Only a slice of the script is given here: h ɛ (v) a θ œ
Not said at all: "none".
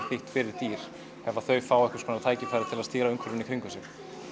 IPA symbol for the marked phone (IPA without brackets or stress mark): v